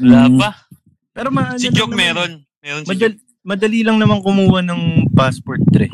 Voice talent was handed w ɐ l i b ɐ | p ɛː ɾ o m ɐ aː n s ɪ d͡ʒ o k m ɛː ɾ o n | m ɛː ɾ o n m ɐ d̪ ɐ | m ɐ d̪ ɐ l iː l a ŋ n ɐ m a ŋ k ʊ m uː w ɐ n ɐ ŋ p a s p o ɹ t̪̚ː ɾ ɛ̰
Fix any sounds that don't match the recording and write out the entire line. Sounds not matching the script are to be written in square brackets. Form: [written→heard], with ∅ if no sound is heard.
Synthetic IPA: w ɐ l [i→a] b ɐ | p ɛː ɾ o m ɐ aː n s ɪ d͡ʒ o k m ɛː ɾ o n | m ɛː ɾ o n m ɐ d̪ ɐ | m ɐ d̪ ɐ l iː l [a→ɐ] ŋ n ɐ m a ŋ k ʊ m uː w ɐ n ɐ ŋ p a s p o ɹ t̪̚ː ɾ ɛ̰